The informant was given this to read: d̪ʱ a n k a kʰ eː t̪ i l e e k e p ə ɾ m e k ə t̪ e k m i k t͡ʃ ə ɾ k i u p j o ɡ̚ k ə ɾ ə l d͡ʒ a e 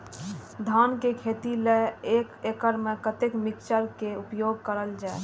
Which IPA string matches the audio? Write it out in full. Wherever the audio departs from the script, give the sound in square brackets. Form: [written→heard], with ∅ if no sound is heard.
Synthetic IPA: d̪ʱ a n k [a→e] kʰ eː t̪ i l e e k e [p→k] ə ɾ m e k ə t̪ e k m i k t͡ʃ ə ɾ k [i→e] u p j o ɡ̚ k ə ɾ ə l d͡ʒ a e